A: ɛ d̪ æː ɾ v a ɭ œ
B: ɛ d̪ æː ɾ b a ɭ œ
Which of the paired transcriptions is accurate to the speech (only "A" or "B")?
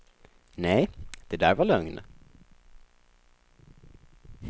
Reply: A